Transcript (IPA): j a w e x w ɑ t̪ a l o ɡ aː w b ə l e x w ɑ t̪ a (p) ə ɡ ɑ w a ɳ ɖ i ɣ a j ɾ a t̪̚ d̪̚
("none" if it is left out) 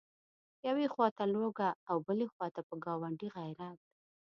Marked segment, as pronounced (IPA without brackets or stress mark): p